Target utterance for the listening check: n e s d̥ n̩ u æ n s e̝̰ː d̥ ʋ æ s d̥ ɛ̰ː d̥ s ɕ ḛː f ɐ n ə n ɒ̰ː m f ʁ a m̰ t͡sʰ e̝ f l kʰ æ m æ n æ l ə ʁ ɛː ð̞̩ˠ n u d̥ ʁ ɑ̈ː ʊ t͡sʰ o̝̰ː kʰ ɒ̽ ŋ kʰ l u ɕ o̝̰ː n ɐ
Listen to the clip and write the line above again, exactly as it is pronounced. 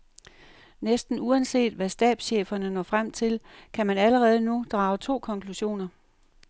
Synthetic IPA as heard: n e s d̥ n̩ u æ n s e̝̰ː d̥ ʋ æ s d̥ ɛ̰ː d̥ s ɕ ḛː f ɐ n ə n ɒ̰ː f ʁ a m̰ t͡sʰ e̝ l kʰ æ m æ n æ l ə ʁ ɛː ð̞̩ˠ n u d̥ ʁ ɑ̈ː ʊ t͡sʰ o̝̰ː kʰ ɒ̽ ŋ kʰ l u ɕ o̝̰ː n ɐ